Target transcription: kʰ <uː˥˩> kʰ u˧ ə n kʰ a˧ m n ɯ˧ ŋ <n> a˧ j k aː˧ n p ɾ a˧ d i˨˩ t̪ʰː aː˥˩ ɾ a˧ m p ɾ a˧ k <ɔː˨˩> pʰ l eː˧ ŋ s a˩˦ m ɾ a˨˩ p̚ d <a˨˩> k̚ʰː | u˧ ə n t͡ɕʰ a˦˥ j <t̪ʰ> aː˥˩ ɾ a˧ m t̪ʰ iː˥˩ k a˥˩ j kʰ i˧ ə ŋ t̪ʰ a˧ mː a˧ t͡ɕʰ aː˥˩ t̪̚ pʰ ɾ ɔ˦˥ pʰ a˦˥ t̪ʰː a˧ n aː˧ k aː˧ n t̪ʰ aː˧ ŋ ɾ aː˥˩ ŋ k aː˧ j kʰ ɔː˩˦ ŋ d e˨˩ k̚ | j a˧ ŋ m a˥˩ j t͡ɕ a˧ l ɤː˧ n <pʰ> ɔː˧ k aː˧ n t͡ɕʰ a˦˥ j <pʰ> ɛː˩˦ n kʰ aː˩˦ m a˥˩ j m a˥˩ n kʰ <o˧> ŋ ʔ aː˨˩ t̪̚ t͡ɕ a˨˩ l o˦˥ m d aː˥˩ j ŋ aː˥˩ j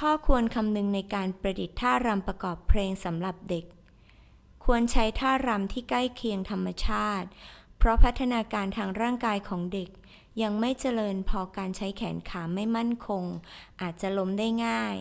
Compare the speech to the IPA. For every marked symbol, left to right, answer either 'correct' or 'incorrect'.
incorrect: ɔː˥˩, correct, correct, incorrect: e˨˩, correct, correct, incorrect: kʰ, correct

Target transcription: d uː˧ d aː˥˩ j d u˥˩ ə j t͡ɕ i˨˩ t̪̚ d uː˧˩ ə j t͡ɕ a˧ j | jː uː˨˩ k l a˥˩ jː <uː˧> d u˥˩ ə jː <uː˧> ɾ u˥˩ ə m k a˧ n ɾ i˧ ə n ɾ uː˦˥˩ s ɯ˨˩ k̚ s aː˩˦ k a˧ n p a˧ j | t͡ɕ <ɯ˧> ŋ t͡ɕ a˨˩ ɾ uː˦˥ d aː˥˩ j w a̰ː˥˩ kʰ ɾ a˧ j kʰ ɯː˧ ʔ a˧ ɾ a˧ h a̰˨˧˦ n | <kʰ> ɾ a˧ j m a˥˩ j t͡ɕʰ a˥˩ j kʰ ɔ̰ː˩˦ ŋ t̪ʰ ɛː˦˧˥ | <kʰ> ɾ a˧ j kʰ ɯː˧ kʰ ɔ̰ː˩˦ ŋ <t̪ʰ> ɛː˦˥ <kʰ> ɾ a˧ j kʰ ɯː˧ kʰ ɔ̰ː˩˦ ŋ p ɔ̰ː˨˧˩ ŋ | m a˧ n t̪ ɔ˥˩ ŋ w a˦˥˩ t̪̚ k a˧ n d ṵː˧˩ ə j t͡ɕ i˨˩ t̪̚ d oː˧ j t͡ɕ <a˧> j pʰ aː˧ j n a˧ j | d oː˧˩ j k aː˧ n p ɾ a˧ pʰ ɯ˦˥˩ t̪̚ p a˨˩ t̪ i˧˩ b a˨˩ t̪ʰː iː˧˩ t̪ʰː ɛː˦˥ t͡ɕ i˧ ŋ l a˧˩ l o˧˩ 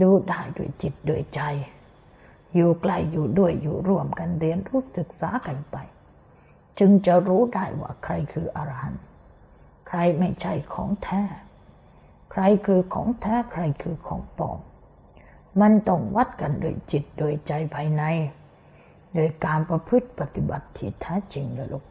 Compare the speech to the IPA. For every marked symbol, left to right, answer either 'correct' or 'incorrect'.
incorrect: uː˨˩, incorrect: uː˨˩, correct, correct, correct, correct, correct, correct

